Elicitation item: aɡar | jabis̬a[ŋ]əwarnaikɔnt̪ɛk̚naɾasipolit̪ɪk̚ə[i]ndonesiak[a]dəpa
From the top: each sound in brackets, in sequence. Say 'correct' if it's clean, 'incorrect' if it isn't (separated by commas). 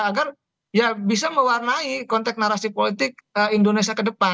incorrect, correct, incorrect